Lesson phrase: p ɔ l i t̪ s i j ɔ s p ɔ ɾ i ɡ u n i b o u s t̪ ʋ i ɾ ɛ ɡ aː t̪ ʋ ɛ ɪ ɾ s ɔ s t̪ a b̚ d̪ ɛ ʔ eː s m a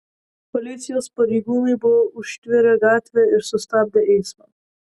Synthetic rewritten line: p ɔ l i t̪ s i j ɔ s p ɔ ɾ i ɡ u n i b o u ʃ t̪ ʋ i ɾ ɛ ɡ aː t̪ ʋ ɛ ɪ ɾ s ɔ s t̪ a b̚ d̪ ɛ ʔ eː s m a